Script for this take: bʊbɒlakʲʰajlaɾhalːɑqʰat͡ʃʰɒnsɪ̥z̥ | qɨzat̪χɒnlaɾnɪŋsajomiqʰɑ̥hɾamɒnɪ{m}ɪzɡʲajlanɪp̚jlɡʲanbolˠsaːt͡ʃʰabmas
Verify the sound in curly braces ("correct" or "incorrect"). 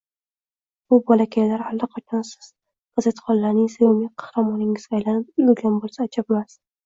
incorrect